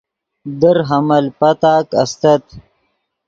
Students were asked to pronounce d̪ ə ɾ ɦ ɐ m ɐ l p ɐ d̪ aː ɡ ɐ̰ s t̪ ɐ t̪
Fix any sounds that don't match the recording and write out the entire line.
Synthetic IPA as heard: d̪ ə ɾ ɦ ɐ m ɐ l p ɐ t̪ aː k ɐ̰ s t̪ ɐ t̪

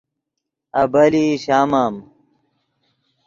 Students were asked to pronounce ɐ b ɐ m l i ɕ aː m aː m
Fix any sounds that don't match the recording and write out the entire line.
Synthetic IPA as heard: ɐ b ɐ l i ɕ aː m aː m

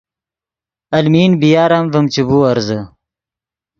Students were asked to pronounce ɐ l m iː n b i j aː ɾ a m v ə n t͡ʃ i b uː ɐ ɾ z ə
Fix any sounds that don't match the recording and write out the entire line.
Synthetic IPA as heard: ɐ l m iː n b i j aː ɾ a m v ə m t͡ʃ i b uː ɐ ɾ z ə

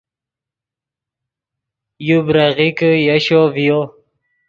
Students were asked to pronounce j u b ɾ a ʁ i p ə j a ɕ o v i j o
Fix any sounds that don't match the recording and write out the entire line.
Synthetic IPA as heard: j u b ɾ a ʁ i k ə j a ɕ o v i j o

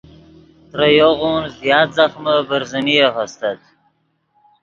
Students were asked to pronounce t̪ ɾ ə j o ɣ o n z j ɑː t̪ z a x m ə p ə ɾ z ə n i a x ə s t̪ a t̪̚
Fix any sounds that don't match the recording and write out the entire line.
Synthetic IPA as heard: t̪ ɾ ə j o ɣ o n z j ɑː t̪ z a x m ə b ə ɾ z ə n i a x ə s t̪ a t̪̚

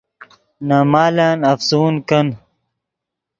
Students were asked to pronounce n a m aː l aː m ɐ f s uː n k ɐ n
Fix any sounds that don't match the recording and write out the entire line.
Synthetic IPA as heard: n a m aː l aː n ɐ f s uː n k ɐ n

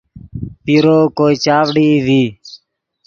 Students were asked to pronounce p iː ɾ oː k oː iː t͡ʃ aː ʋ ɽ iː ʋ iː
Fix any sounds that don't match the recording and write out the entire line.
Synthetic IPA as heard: p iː ɾ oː k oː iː t͡ʃ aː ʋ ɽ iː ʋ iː

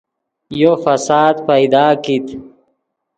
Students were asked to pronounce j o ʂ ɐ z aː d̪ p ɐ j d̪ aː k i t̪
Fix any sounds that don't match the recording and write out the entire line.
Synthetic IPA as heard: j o f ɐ s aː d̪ p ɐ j d̪ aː k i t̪

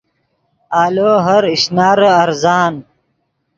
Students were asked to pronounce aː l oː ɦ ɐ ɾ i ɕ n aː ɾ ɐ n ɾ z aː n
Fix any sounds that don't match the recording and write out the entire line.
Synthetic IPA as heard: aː l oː ɦ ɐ ɾ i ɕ n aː ɾ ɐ ɾ z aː n

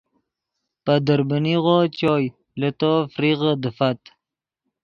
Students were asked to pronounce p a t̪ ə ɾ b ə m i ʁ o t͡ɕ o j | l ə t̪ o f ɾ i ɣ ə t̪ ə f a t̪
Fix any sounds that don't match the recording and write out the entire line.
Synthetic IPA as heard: p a d̪ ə ɾ b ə n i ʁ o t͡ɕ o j | l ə t̪ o f ɾ i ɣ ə d̪ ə f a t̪

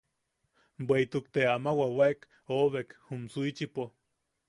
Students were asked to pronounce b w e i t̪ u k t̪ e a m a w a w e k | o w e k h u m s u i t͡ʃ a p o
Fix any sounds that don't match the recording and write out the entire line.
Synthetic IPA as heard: b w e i t̪ u k t̪ e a m a w a w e k | o β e k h u m s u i t͡ʃ i p o

